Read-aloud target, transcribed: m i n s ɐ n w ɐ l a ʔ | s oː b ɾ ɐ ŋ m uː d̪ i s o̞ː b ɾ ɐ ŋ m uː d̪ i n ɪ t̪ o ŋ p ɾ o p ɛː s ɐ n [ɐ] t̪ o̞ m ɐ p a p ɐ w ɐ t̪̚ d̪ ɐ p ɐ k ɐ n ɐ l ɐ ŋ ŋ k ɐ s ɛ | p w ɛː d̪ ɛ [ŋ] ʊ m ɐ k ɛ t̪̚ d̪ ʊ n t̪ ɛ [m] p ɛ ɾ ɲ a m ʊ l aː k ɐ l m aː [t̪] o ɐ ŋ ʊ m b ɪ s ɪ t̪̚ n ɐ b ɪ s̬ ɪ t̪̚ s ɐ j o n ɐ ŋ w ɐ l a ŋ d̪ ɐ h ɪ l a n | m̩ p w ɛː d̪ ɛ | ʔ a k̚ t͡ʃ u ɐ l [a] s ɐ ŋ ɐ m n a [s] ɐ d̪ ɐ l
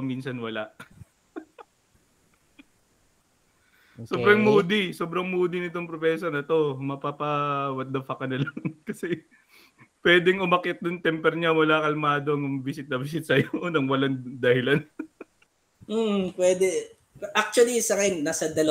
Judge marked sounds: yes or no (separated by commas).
yes, yes, yes, no, no, yes